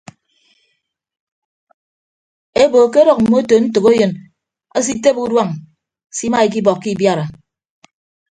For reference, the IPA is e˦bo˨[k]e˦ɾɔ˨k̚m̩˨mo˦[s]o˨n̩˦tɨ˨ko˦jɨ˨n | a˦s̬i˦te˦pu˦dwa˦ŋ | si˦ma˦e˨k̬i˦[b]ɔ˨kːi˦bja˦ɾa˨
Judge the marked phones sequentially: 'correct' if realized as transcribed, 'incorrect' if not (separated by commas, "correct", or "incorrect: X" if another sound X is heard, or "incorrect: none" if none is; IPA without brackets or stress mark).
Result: correct, incorrect: t, correct